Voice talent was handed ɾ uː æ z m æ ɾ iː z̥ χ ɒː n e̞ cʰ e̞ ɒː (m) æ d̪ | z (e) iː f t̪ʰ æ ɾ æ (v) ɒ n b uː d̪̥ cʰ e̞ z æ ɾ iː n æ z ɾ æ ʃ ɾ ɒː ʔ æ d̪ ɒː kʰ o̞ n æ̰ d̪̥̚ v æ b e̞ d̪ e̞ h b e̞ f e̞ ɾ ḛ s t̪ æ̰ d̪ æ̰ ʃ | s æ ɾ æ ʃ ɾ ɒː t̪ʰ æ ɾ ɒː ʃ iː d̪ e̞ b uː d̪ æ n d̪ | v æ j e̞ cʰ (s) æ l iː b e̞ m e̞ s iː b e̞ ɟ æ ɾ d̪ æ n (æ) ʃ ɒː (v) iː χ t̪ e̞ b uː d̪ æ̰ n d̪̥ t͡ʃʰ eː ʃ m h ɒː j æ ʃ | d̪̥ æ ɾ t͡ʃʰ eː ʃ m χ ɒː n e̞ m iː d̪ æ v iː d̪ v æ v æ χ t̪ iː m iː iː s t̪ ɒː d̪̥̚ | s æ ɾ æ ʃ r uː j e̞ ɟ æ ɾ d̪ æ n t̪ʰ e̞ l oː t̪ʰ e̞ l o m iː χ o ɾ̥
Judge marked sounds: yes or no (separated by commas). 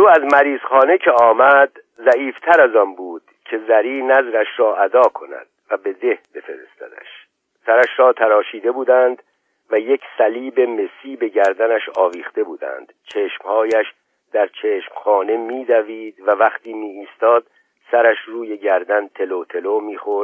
yes, no, no, yes, yes, yes